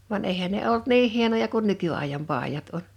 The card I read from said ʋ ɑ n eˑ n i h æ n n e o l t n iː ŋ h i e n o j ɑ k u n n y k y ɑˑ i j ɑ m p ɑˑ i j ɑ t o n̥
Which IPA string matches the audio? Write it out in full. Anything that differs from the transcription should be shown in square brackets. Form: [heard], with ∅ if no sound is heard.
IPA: ʋ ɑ n eˑ [∅] i h æ n n e o l t n iː ŋ h i e n o j ɑ k u n n y k y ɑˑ i j ɑ m p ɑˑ i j ɑ t o n̥

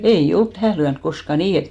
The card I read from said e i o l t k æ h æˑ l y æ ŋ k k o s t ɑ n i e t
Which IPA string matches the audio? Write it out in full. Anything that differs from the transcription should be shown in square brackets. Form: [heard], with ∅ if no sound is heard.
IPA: e i o l t [t] æ h æˑ l y æ [n] k k o s [k] ɑ n [iː] e t

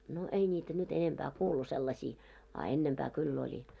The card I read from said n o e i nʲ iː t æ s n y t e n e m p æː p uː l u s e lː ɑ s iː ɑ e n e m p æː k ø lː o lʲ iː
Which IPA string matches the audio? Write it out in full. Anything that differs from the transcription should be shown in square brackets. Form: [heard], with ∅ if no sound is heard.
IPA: n o e i nʲ iː t æ [∅] n y t e n e m p æː [k] uː l u s e lː ɑ s iː ɑ e [nː] e m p æː k [y] lː o lʲ [i]

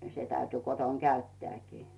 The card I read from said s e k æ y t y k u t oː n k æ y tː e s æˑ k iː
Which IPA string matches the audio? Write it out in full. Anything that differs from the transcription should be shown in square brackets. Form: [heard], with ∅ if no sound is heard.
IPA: s e [t] æ y t y k [o] t [o] n k æ y tː e [∅] æˑ k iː

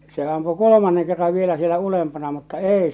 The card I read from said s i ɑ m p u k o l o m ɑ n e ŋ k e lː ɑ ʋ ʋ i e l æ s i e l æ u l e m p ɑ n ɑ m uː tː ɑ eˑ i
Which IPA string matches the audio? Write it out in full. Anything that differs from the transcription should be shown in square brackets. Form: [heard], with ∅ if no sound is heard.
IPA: s [e] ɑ m p u k o l o m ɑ [nː] e ŋ k e [rː] ɑ ʋ ʋ i e l æ s i e l æ u l e m p ɑ n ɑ m [u] tː ɑ eˑ i

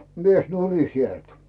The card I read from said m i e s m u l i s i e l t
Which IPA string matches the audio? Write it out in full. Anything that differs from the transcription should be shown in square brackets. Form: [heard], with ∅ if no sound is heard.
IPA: m i e s [n] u [r] i s i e l t

